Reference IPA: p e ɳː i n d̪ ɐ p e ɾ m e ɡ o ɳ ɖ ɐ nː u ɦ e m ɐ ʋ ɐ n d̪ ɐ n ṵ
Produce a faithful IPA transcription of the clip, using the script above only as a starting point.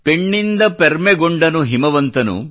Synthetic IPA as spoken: p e ɳː i n d̪ ɐ p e ɾ m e ɡ o ɳ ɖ ɐ n u ɦ i m ɐ ʋ ɐ n t̪ ɐ n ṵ

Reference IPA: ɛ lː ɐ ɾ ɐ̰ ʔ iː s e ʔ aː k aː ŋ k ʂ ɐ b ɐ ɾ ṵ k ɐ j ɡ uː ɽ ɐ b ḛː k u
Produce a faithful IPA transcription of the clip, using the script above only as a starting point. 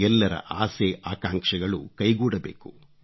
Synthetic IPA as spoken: ɛ lː ɐ ɾ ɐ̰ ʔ aː s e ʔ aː k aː ŋ k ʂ ɐ ɡ ɐ ɭ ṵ k ɐ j ɡ uː ɽ ɐ b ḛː k u

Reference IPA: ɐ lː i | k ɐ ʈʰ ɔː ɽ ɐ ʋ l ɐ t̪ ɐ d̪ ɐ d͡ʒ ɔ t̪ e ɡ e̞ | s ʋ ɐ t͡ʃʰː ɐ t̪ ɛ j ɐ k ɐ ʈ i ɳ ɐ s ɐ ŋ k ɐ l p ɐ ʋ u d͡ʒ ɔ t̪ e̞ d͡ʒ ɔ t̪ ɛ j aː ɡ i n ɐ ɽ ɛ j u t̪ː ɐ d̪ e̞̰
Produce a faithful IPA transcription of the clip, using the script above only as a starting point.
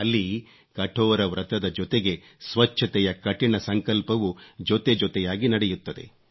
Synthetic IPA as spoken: ɐ lː i | k ɐ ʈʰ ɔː ɾ ɐ ʋ ɾ ɐ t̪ ɐ d̪ ɐ d͡ʒ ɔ t̪ e ɡ e̞ | s ʋ ɐ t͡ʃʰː ɐ t̪ ɛ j ɐ k ɐ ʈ i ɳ ɐ s ɐ ŋ k ɐ l p ɐ ʋ u d͡ʒ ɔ t̪ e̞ d͡ʒ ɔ t̪ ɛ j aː ɡ i n ɐ ɽ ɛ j u t̪ː ɐ d̪ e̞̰

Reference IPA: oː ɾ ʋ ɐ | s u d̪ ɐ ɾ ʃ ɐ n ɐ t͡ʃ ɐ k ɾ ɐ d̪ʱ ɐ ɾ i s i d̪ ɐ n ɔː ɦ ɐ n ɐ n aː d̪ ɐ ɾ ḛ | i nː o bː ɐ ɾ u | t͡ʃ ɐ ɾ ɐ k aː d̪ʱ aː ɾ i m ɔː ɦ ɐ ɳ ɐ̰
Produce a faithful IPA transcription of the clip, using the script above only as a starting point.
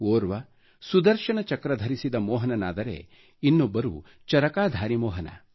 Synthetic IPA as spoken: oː ɾ ʋ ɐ | s u d̪ ɐ ɾ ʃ ɐ n ɐ t͡ʃ ɐ k ɾ ɐ d̪ʱ ɐ ɾ i s i d̪ ɐ m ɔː ɦ ɐ n ɐ n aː d̪ ɐ ɾ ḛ | i nː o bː ɐ ɾ u | t͡ʃ ɐ ɾ ɐ k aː d̪ʱ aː ɾ i m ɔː ɦ ɐ n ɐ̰

